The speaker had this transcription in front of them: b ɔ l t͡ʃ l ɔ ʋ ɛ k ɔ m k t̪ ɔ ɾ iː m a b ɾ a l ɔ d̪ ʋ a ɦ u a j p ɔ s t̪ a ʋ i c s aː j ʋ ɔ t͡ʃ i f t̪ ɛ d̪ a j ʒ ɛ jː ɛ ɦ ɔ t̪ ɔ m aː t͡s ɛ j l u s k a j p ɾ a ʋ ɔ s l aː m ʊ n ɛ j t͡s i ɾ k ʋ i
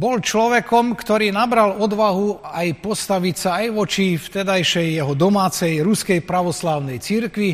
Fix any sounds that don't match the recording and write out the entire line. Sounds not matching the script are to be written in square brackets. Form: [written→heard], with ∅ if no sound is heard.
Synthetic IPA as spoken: b ɔ l t͡ʃ l ɔ ʋ ɛ k ɔ m k t̪ ɔ ɾ iː [m→n] a b ɾ a l ɔ d̪ ʋ a ɦ u a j p ɔ s t̪ a ʋ i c s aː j ʋ ɔ t͡ʃ i f t̪ ɛ d̪ a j [ʒ→ʃ] ɛ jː ɛ ɦ ɔ [t̪→d̪] ɔ m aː t͡s ɛ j [l→ɾ] u s k [a→ɛ] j p ɾ a ʋ ɔ s l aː [m→∅] ʊ n ɛ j t͡s i ɾ k ʋ i